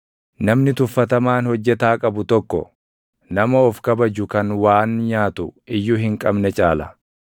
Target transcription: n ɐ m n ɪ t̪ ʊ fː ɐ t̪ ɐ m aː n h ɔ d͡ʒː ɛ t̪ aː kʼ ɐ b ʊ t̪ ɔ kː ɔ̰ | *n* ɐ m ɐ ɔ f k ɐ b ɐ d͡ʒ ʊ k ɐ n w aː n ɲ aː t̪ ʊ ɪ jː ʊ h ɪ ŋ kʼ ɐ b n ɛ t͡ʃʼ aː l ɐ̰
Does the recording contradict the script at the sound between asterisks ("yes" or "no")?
no